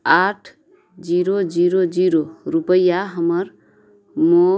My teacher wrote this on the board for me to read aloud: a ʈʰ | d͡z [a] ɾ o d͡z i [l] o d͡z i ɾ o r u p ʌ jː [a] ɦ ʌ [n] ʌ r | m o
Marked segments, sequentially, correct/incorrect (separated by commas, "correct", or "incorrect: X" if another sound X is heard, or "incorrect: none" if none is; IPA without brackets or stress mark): incorrect: i, incorrect: ɾ, correct, incorrect: m